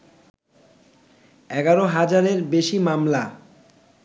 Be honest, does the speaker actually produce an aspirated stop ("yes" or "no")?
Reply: no